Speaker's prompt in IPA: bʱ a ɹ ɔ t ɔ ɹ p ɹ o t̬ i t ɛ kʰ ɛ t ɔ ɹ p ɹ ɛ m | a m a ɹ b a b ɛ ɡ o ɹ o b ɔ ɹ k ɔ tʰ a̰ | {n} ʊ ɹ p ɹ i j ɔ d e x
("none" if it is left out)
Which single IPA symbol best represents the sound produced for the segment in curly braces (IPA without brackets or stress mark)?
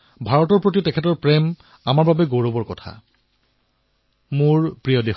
m